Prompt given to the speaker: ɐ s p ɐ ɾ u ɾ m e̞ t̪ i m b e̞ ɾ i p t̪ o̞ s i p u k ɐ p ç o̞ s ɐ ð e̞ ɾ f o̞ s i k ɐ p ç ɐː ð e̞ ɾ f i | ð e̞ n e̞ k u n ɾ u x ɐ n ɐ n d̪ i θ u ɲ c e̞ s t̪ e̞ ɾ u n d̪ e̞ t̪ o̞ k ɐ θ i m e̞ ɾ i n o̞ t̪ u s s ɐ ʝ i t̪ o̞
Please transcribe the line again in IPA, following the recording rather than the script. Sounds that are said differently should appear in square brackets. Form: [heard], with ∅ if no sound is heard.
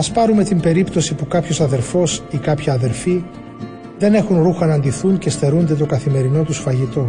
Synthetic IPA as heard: ɐ s p ɐ ɾ u [∅] m e̞ t̪ i m b e̞ ɾ i p t̪ o̞ s i p u k ɐ p ç o̞ s ɐ ð e̞ ɾ f o̞ s i k ɐ p ç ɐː ð e̞ ɾ f i | ð e̞ n e̞ [x] u n ɾ u x ɐ n ɐ n d̪ i θ u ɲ c e̞ s t̪ e̞ ɾ u n d̪ e̞ t̪ o̞ k ɐ θ i m e̞ ɾ i n o̞ t̪ u s [f] ɐ ʝ i t̪ o̞